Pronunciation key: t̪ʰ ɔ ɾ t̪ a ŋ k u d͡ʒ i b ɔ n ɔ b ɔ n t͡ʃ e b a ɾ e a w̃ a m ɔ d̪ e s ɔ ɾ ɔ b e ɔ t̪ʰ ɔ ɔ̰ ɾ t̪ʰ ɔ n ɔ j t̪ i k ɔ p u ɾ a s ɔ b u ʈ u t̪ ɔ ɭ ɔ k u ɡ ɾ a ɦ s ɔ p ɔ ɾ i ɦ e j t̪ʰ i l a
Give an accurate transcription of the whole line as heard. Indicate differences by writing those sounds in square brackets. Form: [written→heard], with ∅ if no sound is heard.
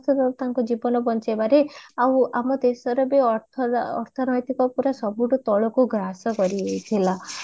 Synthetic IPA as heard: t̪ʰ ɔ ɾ t̪ a ŋ k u d͡ʒ i b ɔ n ɔ b ɔ n t͡ʃ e b a ɾ e a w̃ a m ɔ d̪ e s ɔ ɾ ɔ b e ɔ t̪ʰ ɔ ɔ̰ ɾ t̪ʰ ɔ n ɔ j t̪ i k ɔ p u ɾ a s ɔ b u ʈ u t̪ ɔ ɭ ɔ k u ɡ ɾ a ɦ s ɔ [p→k] ɔ ɾ i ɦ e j t̪ʰ i l a